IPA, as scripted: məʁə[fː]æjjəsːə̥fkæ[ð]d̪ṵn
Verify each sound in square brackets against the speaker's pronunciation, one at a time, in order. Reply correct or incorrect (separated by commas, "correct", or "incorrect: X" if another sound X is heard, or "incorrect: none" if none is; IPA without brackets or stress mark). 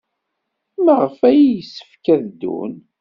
incorrect: f, correct